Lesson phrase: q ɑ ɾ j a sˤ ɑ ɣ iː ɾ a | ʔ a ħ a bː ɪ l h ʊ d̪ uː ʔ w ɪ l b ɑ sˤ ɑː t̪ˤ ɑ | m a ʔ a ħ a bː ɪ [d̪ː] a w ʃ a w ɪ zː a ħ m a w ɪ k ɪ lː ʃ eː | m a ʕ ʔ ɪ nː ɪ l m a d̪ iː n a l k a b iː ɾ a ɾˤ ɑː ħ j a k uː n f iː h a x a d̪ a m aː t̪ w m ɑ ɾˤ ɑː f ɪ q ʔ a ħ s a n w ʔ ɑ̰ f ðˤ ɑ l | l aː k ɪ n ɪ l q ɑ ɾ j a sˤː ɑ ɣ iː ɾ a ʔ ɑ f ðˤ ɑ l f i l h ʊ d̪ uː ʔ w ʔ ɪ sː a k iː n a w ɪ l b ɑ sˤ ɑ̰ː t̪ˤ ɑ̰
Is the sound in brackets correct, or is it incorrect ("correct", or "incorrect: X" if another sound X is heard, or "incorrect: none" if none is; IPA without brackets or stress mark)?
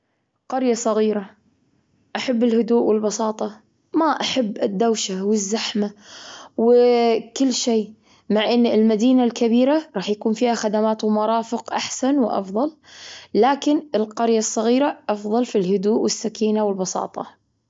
correct